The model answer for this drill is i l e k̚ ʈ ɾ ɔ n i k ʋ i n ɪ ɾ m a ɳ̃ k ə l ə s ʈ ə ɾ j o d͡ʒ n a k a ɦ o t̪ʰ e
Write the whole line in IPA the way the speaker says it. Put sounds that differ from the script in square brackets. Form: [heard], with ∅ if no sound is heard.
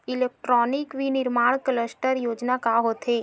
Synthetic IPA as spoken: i l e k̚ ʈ ɾ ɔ n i k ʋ i n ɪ ɾ m a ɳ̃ k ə l ə s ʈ ə ɾ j o d͡ʒ n a k a ɦ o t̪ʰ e